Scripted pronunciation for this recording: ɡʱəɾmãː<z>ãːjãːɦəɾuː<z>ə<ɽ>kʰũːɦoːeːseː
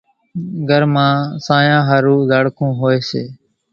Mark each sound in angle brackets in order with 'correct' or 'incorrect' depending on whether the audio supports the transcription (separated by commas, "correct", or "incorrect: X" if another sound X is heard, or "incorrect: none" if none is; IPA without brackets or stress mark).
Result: incorrect: s, correct, correct